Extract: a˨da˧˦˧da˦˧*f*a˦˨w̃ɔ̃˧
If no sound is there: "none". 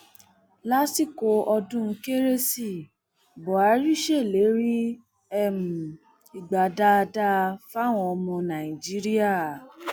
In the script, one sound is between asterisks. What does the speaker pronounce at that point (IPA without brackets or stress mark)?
f